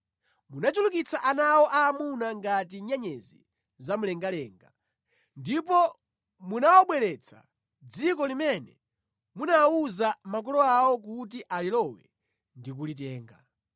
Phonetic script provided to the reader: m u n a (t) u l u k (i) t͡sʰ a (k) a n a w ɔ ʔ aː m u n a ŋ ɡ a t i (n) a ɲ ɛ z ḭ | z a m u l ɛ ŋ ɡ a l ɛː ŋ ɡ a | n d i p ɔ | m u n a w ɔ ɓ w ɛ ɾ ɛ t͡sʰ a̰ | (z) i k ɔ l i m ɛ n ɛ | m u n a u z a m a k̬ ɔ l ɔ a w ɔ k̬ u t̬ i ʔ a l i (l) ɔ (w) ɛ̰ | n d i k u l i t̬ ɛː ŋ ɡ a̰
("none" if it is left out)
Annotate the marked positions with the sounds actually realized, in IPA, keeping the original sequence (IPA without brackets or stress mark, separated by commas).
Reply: t͡ʃ, i, ʔ, ɲ, d͡z, l, w